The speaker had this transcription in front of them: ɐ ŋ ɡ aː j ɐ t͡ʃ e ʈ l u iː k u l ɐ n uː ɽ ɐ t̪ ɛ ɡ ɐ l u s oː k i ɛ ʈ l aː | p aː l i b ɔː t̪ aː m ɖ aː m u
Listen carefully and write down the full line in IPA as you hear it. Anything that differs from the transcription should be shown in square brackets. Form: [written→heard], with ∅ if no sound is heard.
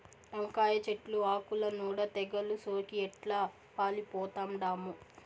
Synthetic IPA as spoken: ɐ ŋ [ɡ→k] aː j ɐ t͡ʃ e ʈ l u [iː→aː] k u l ɐ n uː ɽ ɐ t̪ ɛ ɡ ɐ l u s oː k i ɛ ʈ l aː | p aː l i [b→p] ɔː t̪ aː m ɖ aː m u